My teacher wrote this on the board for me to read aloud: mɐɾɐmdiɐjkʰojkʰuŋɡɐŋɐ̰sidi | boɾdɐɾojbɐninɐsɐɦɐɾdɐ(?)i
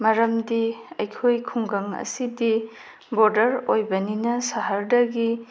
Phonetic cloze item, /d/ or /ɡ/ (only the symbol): ɡ